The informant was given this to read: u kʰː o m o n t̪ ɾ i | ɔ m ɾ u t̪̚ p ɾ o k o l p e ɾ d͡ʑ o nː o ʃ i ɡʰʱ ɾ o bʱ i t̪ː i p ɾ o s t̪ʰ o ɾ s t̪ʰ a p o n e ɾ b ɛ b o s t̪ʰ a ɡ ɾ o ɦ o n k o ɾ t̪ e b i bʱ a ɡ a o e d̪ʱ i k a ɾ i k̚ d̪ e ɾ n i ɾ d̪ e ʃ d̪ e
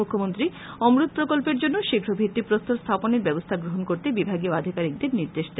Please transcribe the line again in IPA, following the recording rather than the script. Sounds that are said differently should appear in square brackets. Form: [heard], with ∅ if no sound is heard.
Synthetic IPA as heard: u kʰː o m o n t̪ ɾ i | ɔ m ɾ u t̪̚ p ɾ o k o l p e ɾ d͡ʑ o nː o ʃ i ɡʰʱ ɾ o bʱ i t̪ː i p ɾ o s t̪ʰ o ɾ s t̪ʰ a p o n e ɾ b ɛ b o s t̪ʰ a ɡ ɾ o ɦ o n k o ɾ t̪ e b i bʱ a ɡ [i] o [a] d̪ʱ i k a ɾ i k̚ d̪ e ɾ n i ɾ d̪ e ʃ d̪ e